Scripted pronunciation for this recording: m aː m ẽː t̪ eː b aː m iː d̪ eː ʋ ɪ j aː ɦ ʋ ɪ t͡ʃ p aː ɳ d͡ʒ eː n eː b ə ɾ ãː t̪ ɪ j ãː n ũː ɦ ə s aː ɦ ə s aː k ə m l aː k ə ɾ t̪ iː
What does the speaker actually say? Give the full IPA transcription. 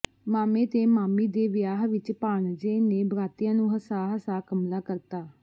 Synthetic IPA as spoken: m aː m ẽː t̪ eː m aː m iː d̪ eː ʋ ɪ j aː ɦ ʋ ɪ t͡ʃ p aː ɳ d͡ʒ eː n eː b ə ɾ aː t̪ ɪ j ãː n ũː ɦ ə s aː ɦ ə s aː k ə m l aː k ə ɾ t̪ aː